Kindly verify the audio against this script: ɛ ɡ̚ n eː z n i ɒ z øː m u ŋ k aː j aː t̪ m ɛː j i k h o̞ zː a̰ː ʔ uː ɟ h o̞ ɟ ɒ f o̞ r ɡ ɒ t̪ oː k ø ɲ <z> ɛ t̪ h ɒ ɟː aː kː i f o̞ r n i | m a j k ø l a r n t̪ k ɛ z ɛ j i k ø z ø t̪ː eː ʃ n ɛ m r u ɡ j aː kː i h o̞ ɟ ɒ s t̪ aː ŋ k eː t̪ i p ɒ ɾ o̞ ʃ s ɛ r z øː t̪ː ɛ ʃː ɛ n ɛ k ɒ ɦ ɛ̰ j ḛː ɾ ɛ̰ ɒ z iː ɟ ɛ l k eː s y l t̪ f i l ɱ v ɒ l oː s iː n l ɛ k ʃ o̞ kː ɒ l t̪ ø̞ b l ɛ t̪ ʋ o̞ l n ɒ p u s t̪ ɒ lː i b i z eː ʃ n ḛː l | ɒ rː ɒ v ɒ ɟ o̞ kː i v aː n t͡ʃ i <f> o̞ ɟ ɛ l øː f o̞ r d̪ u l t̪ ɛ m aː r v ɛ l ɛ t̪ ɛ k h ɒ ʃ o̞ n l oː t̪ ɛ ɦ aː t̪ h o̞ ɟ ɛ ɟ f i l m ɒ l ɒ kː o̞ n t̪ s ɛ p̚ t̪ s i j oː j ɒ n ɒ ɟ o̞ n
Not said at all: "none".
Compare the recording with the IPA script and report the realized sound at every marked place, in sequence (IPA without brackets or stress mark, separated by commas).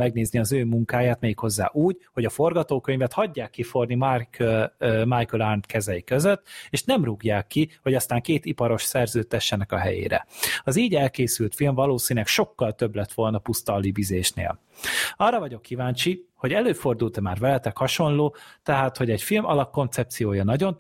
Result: v, h